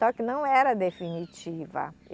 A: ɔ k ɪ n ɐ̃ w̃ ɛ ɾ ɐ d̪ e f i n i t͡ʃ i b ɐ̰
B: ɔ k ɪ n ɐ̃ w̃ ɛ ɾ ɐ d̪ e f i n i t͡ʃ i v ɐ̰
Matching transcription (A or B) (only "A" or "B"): B